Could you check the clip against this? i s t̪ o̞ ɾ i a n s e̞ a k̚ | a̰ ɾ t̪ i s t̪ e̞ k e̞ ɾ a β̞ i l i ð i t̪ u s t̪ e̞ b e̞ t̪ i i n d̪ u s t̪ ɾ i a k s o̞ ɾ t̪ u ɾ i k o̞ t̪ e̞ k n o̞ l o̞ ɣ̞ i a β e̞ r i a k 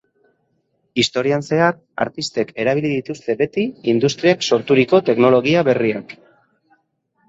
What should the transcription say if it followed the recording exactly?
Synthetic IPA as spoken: i s t̪ o̞ ɾ i a n s e̞ a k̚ | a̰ ɾ t̪ i s t̪ e̞ k e̞ ɾ a β̞ i l i ð i t̪ u s t̪ e̞ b e̞ t̪ i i n d̪ u s t̪ ɾ i a k s o̞ ɾ t̪ u ɾ i k o̞ t̪ e̞ k n o̞ l o̞ ɣ̞ i a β e̞ r i a k

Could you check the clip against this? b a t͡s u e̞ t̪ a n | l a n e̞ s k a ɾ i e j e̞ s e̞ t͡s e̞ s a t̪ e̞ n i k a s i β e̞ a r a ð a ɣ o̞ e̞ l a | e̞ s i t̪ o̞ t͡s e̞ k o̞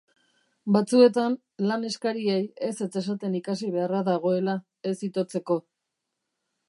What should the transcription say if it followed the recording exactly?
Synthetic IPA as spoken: b a t͡s u e̞ t̪ a n | l a n e̞ s k a ɾ i e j e̞ s e̞ t͡s e̞ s a t̪ e̞ n i k a s i β e̞ a r a ð a ɣ o̞ e̞ l a | e̞ s i t̪ o̞ t͡s e̞ k o̞

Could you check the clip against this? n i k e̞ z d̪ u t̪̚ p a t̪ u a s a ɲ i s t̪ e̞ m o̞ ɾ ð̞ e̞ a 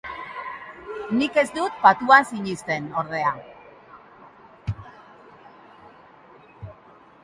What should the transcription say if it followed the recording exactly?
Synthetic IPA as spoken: n i k e̞ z d̪ u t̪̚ p a t̪ u a s i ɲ i s t̪ e̞ n o̞ ɾ ð̞ e̞ a

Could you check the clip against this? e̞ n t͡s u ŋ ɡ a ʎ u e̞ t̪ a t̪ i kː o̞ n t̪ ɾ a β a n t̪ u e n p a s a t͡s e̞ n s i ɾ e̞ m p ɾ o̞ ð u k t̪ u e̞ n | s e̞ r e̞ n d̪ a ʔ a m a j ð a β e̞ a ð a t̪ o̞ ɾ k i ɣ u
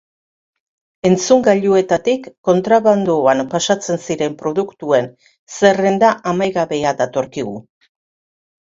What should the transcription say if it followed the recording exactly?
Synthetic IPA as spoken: e̞ n t͡s u ŋ ɡ a ʎ u e̞ t̪ a t̪ i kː o̞ n t̪ ɾ a β a n d̪ u a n p a s a t͡s e̞ n s i ɾ e̞ m p ɾ o̞ ð u k t̪ u e̞ n | s e̞ r e̞ n d̪ a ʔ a m a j ɣ a β e̞ a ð a t̪ o̞ ɾ k i ɣ u

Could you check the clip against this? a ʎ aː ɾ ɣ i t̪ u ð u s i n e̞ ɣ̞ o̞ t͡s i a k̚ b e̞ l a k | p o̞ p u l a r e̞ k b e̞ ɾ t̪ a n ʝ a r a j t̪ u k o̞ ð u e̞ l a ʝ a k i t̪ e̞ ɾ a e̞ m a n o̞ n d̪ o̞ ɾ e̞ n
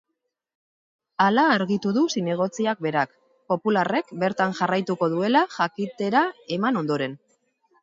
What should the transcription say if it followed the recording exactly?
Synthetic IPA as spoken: a l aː ɾ ɣ i t̪ u ð u s i n e̞ ɣ̞ o̞ t͡s i a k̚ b e̞ ɾ a k | p o̞ p u l a r e̞ k b e̞ ɾ t̪ a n ʝ a r a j t̪ u k o̞ ð u e̞ l a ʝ a k i t̪ e̞ ɾ a e̞ m a n o̞ n d̪ o̞ ɾ e̞ n

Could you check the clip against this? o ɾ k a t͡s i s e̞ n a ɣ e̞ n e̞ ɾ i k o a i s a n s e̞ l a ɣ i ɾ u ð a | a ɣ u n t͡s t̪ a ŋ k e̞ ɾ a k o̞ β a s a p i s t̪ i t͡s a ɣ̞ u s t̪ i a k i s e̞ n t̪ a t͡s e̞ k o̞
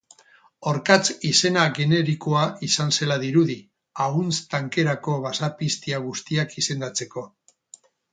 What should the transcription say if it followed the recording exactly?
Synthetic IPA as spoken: o ɾ k a t͡s i s e̞ n a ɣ e̞ n e̞ ɾ i k o a i s a n s e̞ l a ð i ɾ u ð i | a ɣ u n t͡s t̪ a ŋ k e̞ ɾ a k o̞ β a s a p i s t̪ i a ɣ̞ u s t̪ i a k i s e̞ n d̪ a t͡s e̞ k o̞

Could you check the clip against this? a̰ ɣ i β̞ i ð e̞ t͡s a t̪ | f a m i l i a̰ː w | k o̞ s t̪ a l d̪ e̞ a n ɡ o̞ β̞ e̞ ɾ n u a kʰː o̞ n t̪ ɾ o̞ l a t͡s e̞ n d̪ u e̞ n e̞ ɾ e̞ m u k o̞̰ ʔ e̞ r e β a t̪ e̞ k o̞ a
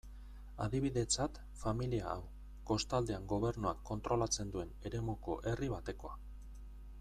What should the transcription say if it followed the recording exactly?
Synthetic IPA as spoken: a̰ ð i β̞ i ð e̞ t͡s a t̪ | f a m i l i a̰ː w | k o̞ s t̪ a l d̪ e̞ a ŋ ɡ o̞ β̞ e̞ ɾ n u a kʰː o̞ n t̪ ɾ o̞ l a t͡s e̞ n d̪ u e̞ n e̞ ɾ e̞ m u k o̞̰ ʔ e̞ r i β a t̪ e̞ k o̞ a

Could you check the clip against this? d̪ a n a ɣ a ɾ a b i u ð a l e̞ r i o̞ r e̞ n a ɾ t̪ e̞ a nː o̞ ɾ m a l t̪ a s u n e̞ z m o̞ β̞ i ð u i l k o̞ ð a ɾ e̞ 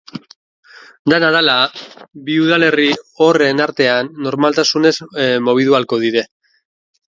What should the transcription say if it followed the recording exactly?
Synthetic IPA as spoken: d̪ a n a ð a l a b i u ð a l e̞ r i o̞ r e̞ n a ɾ t̪ e̞ a nː o̞ ɾ m a l t̪ a s u n e̞ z m o̞ β̞ i ð u a l k o̞ ð i ɾ e̞

